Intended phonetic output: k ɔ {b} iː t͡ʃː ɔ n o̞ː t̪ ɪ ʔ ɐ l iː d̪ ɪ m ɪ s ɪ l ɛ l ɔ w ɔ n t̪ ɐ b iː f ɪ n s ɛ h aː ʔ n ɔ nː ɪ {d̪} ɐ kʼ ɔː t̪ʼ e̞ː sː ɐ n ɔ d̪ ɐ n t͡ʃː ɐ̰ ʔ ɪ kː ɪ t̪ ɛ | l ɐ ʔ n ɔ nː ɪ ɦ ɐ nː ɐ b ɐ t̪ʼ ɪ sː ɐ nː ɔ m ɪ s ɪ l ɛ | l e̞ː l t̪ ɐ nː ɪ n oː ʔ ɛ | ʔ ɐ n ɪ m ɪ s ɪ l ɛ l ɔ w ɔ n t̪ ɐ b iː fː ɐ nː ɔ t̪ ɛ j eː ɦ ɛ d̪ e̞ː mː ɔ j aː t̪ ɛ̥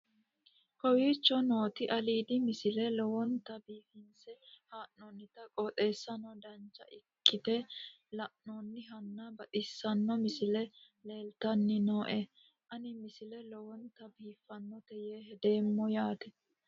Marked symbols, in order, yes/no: no, no

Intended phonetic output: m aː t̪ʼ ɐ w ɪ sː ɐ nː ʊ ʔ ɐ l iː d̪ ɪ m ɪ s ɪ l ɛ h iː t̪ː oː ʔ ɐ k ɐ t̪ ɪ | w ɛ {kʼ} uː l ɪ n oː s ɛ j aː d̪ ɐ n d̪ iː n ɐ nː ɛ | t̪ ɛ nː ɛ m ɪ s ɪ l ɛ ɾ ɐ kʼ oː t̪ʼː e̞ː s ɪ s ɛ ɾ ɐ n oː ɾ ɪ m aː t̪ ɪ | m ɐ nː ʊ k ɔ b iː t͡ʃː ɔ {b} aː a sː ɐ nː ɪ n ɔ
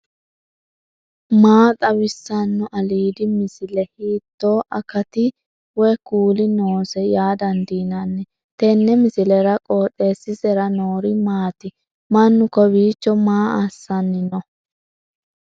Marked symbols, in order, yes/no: no, no

